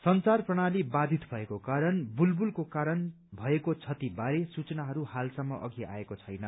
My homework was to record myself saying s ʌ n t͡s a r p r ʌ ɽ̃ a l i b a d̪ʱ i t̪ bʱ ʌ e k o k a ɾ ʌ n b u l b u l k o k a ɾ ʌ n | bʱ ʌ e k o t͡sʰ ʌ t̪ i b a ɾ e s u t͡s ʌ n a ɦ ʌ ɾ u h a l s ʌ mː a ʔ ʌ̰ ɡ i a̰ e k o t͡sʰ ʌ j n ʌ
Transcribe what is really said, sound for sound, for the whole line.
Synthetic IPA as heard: s ʌ n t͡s a r p r ʌ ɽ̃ a l i b a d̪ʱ i t̪ bʱ ʌ e k o k a ɾ ʌ n b u l b u l k o k a ɾ ʌ n | bʱ ʌ e k o t͡sʰ ʌ t̪ i b a ɾ e s u t͡s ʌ n a ɦ ʌ ɾ u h a l s ʌ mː ʌ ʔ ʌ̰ ɡ i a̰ e k o t͡sʰ ʌ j n ʌ

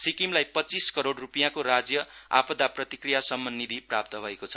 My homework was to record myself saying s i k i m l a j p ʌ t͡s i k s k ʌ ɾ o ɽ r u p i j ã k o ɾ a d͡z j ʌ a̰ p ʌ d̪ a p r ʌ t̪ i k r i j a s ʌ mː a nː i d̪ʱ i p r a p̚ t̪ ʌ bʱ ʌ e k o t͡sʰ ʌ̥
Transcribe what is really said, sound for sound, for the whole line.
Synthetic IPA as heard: s i k i m l a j p ʌ t͡s i s k ʌ ɾ o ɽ r u p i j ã k o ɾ a d͡z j ʌ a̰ p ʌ d̪ a p r ʌ t̪ i k r i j a s ʌ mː ʌ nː i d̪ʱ i p r a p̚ t̪ ʌ bʱ ʌ e k o t͡sʰ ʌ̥

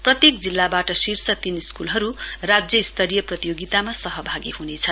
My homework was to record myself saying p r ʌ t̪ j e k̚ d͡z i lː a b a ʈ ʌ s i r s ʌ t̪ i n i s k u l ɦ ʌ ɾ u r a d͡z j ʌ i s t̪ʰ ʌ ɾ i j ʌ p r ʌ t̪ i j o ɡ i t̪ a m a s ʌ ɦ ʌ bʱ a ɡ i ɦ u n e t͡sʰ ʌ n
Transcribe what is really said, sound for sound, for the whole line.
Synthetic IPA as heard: p r ʌ t̪ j e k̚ d͡z i lː a b a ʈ ʌ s i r s ʌ t̪ i n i s k u l ɦ ʌ ɾ u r a d͡z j ʌ i s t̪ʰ ʌ ɾ i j ʌ p r ʌ t̪ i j o ɡ i t̪ a m a s ʌ ɦ ʌ bʱ a ɡ i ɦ u n e t͡sʰ ʌ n

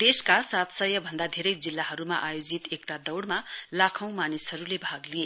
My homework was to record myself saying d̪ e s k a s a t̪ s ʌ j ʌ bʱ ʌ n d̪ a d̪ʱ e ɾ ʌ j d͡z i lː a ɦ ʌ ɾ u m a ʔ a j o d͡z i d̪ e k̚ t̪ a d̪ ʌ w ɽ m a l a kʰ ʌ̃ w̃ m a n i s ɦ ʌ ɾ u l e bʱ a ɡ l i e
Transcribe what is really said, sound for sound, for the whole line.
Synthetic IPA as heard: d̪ e s k a s a t̪ s ʌ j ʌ bʱ ʌ n d̪ a d̪ʱ e ɾ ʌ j d͡z i lː a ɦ ʌ ɾ u m a ʔ a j o d͡z i t̪ e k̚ t̪ a d̪ ʌ w ɽ m a l a kʰ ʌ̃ w̃ m a n i s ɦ ʌ ɾ u l e bʱ a ɡ l i e

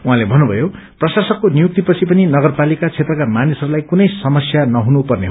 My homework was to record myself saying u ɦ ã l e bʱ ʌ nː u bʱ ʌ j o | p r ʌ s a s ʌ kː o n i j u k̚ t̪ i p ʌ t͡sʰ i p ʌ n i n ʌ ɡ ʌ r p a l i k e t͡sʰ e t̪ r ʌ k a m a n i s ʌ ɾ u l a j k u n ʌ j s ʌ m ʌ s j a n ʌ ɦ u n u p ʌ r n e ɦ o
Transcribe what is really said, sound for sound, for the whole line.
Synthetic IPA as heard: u ɦ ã l e bʱ ʌ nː u bʱ ʌ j o | p r ʌ s a s ʌ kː o n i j u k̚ t̪ i p ʌ t͡sʰ i p ʌ n i n ʌ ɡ ʌ r p a l i k a t͡sʰ e t̪ r ʌ k a m a n i s ʌ ɾ u l a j k u n ʌ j s ʌ m ʌ s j a n ʌ ɦ u n u p ʌ r n e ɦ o

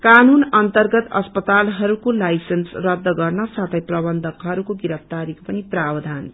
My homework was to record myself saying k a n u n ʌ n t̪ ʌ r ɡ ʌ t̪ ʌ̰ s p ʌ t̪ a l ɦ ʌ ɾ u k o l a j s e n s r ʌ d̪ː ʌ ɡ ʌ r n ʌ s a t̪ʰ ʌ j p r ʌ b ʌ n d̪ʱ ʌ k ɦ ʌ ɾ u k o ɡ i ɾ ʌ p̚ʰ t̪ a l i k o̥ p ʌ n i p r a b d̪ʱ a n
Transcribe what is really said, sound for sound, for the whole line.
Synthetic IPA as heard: k a n u n ʌ n t̪ ʌ r ɡ ʌ t̪ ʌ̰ s p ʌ t̪ a l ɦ ʌ ɾ u k o l a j s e n s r ʌ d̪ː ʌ ɡ ʌ r n ʌ s a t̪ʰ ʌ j p r ʌ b ʌ n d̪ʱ ʌ k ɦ ʌ ɾ u k o ɡ i ɾ ʌ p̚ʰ t̪ a ɾ i k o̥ p ʌ n i p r a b d̪ʱ a n

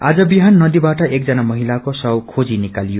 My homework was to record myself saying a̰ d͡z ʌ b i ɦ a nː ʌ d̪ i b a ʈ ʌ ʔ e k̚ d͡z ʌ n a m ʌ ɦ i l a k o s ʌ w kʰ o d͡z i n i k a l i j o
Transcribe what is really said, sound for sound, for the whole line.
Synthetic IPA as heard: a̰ d͡z ʌ b i ɦ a nː ʌ d̪ i b a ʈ ʌ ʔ e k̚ d͡z ʌ n a m ʌ ɦ i l a k o s ʌ w kʰ o d͡z i n i k a l i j o

